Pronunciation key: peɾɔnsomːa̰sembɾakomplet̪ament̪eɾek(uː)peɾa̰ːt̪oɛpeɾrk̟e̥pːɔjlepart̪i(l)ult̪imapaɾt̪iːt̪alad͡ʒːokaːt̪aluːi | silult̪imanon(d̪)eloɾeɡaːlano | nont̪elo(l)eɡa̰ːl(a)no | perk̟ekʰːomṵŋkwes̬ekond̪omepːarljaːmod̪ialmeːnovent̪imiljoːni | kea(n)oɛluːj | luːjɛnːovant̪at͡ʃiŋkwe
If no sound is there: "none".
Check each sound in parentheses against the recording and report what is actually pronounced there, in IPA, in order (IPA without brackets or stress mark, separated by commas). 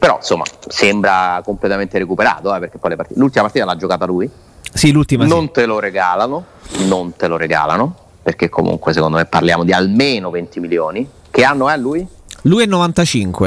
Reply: u, l, t̪, ɾ, a, nː